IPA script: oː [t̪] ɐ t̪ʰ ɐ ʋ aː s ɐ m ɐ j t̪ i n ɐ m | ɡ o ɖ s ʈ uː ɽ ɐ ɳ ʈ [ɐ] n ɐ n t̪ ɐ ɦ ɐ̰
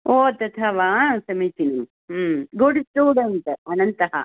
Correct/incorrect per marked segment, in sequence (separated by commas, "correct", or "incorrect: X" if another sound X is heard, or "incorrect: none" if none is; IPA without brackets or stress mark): correct, correct